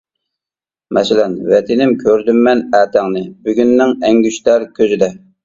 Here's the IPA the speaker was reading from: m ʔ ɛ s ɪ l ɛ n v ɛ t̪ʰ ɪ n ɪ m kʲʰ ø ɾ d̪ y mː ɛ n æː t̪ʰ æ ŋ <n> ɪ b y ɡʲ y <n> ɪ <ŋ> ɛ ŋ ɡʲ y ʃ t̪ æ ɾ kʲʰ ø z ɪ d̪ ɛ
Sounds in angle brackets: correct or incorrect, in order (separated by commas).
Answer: correct, incorrect, correct